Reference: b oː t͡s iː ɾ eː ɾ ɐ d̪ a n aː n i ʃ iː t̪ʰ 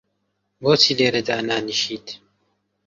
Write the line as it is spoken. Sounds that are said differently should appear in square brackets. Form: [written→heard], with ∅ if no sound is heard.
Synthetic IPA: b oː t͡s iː [ɾ→l] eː ɾ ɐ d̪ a n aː n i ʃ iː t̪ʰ